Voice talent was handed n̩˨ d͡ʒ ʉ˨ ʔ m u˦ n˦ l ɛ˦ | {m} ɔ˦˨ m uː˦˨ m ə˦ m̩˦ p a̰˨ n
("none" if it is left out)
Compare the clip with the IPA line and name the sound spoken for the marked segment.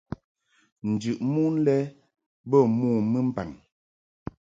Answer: b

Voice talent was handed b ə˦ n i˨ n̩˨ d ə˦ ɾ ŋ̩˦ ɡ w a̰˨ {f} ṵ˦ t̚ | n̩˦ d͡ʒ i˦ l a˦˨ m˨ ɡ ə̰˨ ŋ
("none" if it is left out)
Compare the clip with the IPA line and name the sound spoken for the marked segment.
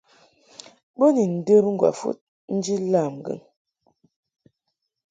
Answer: f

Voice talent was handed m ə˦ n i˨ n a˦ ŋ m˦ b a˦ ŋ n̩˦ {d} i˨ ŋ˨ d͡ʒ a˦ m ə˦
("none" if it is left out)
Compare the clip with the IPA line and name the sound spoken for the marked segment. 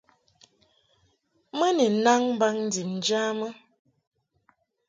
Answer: d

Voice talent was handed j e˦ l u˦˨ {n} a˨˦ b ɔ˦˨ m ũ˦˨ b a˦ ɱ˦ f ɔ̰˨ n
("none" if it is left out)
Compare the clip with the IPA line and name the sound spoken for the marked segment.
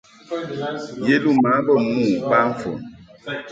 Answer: m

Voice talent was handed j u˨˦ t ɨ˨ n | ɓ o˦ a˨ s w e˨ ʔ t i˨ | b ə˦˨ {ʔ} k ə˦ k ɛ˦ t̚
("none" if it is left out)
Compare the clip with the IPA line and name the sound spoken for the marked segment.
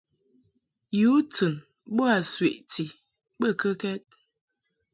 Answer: none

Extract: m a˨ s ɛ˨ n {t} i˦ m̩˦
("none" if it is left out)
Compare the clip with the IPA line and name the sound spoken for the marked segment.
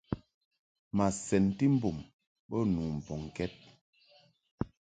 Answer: t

